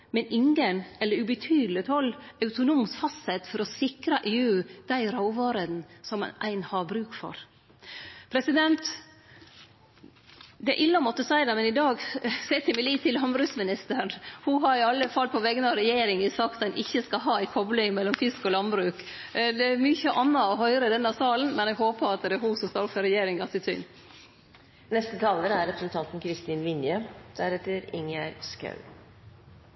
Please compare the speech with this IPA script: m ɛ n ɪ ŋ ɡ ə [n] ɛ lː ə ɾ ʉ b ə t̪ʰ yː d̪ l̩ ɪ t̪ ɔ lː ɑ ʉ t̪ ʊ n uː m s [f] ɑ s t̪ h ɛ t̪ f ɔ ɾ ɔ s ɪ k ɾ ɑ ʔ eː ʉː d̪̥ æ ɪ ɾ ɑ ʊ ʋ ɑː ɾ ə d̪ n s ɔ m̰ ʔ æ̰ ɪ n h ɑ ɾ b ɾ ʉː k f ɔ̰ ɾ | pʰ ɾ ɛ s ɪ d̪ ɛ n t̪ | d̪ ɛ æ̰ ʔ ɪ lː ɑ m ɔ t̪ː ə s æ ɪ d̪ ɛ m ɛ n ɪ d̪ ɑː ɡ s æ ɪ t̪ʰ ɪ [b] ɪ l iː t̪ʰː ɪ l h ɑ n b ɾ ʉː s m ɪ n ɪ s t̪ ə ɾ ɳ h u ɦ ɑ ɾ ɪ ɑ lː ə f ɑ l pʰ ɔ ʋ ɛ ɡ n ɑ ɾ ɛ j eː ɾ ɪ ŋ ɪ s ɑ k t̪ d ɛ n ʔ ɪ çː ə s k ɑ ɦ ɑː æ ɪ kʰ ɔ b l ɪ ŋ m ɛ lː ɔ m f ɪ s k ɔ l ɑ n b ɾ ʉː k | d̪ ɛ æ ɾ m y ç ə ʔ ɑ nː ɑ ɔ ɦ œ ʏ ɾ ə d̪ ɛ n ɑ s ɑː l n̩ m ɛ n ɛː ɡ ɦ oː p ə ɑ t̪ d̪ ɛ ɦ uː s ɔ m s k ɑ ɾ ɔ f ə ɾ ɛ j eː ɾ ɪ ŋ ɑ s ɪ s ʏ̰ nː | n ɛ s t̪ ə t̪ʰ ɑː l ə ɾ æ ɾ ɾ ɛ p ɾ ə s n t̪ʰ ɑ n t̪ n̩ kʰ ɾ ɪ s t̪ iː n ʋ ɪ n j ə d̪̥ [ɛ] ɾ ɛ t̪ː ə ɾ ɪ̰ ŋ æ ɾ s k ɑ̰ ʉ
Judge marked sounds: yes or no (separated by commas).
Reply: yes, yes, no, no